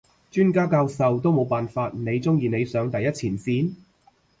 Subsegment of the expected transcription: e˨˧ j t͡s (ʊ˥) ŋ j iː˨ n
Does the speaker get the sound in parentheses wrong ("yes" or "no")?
no